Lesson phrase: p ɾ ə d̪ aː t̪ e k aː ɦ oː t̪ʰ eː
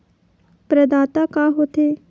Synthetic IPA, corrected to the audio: p ɾ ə d̪ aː t̪ a k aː ɦ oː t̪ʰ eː